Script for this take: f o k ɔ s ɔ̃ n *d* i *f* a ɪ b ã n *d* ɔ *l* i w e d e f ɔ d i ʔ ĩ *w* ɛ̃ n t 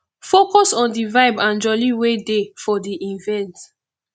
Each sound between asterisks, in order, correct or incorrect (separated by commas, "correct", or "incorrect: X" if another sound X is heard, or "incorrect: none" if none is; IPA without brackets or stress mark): correct, incorrect: v, incorrect: d͡ʒ, correct, incorrect: v